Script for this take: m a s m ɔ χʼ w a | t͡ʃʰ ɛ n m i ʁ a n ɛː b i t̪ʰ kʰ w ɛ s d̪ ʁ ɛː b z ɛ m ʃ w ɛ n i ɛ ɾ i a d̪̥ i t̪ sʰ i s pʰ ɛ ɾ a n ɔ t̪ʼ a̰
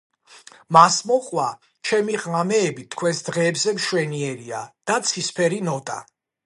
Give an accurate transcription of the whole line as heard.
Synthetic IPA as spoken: m a s m ɔ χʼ w a | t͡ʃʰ ɛ m i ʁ a m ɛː b i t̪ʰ kʰ w ɛ s d̪ ʁ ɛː b z ɛ m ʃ w ɛ n i ɛ ɾ i a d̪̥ a t̪ sʰ i s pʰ ɛ ɾ i n ɔ t̪ʼ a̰